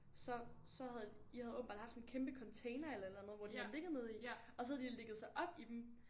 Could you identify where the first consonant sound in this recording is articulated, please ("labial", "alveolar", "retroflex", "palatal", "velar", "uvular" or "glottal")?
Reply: alveolar